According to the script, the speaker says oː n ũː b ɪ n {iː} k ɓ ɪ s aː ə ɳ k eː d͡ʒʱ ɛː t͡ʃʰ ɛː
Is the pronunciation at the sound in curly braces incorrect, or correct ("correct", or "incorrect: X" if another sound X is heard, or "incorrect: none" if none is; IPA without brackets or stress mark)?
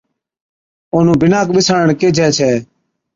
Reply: incorrect: aː